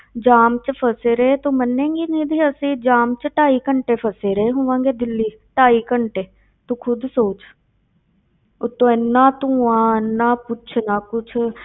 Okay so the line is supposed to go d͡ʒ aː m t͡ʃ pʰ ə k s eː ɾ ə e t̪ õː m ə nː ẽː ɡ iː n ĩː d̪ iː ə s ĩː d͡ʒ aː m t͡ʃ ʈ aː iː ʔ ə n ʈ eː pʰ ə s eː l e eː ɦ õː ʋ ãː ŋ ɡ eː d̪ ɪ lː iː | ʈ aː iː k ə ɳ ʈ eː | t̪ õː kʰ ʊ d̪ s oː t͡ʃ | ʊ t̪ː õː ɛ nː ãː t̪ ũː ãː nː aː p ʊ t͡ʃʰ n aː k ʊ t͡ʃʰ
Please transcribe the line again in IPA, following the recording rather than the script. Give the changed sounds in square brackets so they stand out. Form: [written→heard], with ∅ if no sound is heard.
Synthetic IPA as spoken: d͡ʒ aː m t͡ʃ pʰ ə [k→∅] s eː ɾ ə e t̪ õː m ə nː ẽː ɡ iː n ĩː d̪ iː ə s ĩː d͡ʒ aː m t͡ʃ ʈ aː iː [ʔ→k] ə [n→ɳ] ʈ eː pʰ ə s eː [l→ɾ] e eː ɦ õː ʋ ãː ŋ ɡ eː d̪ ɪ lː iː | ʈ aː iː k ə ɳ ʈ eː | t̪ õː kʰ ʊ d̪ s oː t͡ʃ | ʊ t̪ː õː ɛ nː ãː t̪ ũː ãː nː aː p ʊ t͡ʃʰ n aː k ʊ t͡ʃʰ